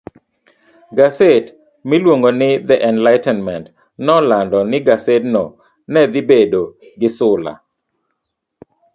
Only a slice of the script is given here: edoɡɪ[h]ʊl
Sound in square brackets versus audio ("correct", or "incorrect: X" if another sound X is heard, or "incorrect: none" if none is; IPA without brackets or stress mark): incorrect: s